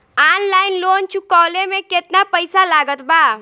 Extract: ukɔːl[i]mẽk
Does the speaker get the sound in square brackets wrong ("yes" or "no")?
yes